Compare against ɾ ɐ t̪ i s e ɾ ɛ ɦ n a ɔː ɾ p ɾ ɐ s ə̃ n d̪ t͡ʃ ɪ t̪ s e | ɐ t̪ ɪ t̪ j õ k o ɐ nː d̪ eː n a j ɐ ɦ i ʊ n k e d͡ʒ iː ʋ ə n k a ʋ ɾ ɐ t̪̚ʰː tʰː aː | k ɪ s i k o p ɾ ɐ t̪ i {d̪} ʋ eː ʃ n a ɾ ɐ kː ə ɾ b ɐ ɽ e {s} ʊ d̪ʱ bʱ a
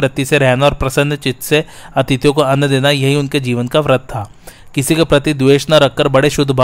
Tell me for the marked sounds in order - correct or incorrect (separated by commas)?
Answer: correct, incorrect